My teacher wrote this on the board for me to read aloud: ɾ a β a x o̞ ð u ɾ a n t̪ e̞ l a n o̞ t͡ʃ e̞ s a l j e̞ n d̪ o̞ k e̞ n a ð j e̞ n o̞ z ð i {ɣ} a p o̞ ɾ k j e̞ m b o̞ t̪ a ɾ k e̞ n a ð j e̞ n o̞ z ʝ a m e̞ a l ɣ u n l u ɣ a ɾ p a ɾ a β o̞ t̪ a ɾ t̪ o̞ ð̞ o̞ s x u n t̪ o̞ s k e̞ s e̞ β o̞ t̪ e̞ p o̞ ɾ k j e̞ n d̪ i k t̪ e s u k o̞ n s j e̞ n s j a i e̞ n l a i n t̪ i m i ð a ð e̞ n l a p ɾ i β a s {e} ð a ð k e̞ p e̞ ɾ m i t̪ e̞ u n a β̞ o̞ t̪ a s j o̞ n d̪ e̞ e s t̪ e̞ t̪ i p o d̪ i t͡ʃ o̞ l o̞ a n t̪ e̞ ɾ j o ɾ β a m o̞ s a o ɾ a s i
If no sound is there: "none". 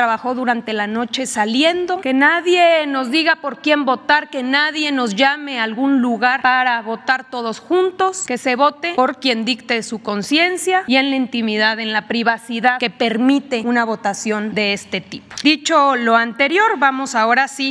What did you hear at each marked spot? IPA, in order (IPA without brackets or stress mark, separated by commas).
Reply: ɣ, i